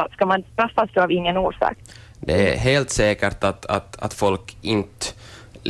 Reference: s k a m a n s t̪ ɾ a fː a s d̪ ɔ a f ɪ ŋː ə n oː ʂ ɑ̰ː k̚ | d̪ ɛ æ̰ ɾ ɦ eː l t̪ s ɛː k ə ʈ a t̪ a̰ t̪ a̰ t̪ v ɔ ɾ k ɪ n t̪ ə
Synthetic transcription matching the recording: s k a m a n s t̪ ɾ a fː a s d̪ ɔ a v ɪ ŋː ə n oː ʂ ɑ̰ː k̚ | d̪ ɛ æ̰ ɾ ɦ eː l t̪ s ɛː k ə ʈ a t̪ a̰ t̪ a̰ t̪ f ɔ l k ɪ n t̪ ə